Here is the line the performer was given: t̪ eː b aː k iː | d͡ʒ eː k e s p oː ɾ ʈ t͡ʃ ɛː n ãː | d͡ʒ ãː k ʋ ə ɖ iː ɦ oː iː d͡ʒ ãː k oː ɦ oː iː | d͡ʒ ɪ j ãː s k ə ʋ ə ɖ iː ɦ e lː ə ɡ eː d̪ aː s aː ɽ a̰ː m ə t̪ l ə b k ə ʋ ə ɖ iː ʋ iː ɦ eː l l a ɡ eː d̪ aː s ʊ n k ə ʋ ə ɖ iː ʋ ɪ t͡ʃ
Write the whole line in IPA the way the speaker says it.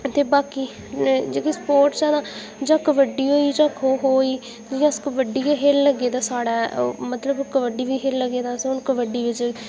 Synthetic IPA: t̪ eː b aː k iː | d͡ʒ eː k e s p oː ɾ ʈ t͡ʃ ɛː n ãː | d͡ʒ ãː k ʋ ə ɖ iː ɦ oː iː d͡ʒ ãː k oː ɦ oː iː | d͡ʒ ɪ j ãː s k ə ʋ ə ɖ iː ɦ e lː ə ɡ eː d̪ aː s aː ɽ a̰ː m ə t̪ l ə b k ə ʋ ə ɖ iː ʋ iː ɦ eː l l ə ɡ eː d̪ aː s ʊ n k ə ʋ ə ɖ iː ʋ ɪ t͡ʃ